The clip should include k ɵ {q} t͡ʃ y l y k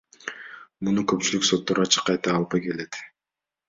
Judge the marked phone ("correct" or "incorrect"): incorrect